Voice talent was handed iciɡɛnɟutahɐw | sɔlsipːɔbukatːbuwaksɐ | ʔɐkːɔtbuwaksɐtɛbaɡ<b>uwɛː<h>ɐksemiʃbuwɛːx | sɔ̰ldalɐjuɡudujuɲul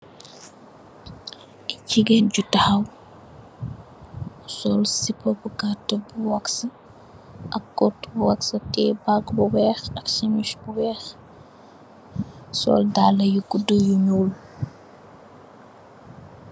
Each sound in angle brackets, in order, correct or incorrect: correct, incorrect: x

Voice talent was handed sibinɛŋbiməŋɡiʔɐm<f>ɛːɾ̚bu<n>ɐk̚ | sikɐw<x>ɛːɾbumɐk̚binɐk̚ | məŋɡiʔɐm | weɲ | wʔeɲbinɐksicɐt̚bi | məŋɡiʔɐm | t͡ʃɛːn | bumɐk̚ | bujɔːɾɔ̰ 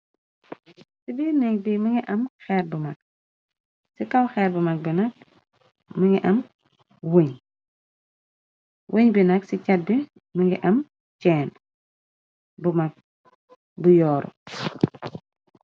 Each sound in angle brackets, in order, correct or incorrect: incorrect: x, incorrect: m, correct

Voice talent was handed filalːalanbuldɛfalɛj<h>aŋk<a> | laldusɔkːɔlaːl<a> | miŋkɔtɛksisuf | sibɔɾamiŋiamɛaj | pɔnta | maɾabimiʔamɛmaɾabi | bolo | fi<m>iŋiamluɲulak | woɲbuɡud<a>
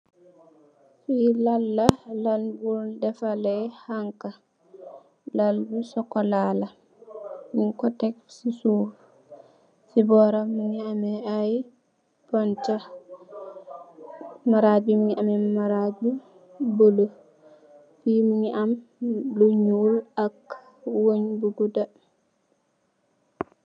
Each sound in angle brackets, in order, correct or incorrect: correct, correct, correct, correct, correct

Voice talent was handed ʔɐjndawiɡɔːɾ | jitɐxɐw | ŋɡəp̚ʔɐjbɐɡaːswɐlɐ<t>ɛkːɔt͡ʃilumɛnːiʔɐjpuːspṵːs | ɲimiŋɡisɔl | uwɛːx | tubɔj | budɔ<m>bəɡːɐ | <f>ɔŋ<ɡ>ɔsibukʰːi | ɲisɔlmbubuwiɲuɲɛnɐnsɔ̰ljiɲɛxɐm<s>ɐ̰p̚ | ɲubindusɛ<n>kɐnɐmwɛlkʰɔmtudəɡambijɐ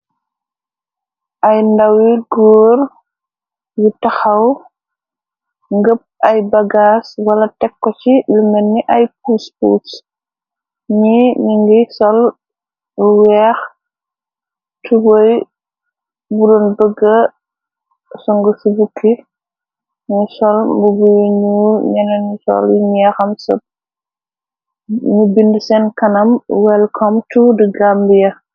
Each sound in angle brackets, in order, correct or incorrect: correct, incorrect: n, incorrect: s, correct, correct, correct

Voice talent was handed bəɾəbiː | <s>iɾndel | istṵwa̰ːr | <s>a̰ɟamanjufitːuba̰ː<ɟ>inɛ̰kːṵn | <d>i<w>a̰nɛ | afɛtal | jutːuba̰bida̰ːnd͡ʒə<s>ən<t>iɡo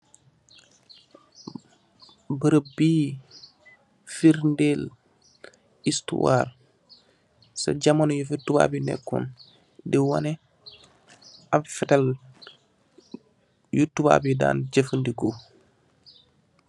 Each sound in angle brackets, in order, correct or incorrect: incorrect: f, correct, incorrect: b, correct, correct, incorrect: f, incorrect: d

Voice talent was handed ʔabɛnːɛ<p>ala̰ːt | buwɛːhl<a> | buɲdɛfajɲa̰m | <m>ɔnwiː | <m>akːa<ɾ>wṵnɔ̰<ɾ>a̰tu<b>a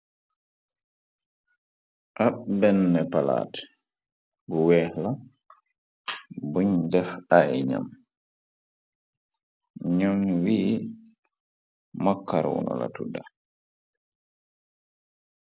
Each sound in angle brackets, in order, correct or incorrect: correct, correct, incorrect: ɲ, correct, correct, incorrect: l, incorrect: d

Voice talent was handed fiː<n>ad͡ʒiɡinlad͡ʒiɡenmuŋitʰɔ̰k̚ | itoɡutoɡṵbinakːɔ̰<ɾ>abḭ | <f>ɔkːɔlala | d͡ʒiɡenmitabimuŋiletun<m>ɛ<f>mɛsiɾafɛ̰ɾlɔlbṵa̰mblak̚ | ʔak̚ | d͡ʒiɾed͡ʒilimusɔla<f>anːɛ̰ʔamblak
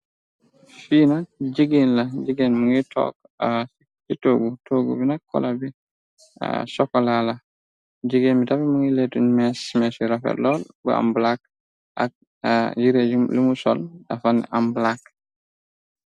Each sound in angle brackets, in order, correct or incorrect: correct, incorrect: l, incorrect: s, correct, incorrect: s, correct

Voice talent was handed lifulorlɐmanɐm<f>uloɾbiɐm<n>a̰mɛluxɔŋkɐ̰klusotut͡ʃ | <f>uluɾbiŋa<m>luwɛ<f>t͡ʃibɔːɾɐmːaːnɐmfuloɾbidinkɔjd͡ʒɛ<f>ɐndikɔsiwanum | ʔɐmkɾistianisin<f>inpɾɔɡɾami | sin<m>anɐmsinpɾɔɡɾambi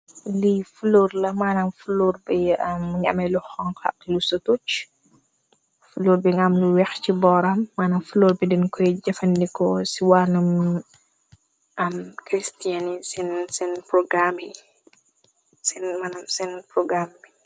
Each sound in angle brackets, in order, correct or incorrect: correct, incorrect: ɲ, correct, correct, incorrect: x, correct, incorrect: s, correct

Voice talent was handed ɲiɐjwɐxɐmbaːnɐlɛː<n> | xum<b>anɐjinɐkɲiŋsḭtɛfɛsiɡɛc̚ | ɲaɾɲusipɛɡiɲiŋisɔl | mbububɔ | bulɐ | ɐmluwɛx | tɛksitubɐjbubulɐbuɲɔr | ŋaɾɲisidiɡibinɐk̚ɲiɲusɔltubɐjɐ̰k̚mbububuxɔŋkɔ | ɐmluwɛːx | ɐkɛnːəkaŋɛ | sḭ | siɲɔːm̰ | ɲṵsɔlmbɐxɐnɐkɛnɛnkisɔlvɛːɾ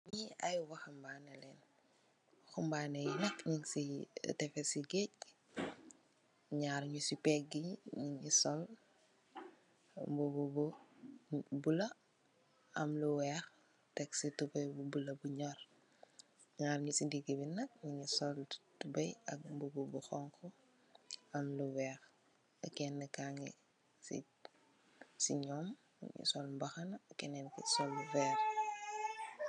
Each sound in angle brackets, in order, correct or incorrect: correct, correct

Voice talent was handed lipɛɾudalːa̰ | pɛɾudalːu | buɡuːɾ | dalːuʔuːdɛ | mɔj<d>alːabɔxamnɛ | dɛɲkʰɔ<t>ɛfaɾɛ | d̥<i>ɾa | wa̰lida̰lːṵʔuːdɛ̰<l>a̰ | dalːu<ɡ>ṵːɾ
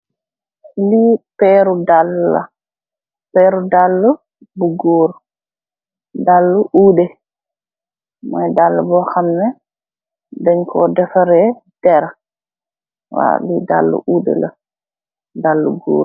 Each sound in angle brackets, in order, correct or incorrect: correct, incorrect: d, incorrect: ɛ, correct, correct

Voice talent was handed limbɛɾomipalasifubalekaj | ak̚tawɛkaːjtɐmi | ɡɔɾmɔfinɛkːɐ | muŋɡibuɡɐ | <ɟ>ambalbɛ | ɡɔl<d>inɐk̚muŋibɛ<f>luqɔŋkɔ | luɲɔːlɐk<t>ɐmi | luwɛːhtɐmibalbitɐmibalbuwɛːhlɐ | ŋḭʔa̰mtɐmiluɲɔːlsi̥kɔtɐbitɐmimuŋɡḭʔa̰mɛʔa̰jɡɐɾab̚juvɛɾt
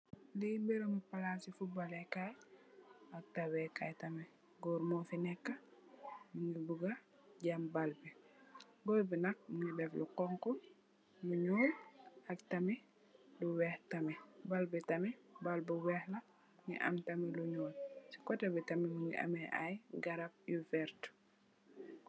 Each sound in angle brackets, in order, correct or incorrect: correct, incorrect: b, correct, correct

